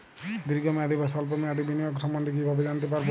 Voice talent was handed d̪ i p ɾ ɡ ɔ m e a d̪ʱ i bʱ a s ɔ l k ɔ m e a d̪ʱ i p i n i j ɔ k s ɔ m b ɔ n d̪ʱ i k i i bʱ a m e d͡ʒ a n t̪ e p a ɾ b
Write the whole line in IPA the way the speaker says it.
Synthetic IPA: d̪ i ɾ ɡ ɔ m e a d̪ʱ i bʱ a s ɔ l p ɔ m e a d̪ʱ i b i n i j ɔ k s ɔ m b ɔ n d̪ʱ i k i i bʱ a b e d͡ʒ a n t̪ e p a ɾ b